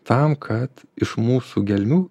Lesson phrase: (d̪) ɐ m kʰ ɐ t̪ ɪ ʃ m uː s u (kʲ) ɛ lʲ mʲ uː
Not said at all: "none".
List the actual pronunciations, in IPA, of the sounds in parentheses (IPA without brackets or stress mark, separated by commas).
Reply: t̪, ɡʲ